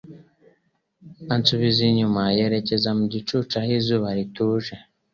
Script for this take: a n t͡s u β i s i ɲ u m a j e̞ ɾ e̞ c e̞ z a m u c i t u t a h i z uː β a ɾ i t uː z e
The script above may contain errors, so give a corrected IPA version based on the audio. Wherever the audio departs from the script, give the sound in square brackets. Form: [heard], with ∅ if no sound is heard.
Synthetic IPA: a n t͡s u β i [z] i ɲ u m a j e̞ ɾ e̞ c e̞ z a m u [ɟ] i [t͡ʃ] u [t͡ʃ] a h i z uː β a ɾ i t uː [ʒ] e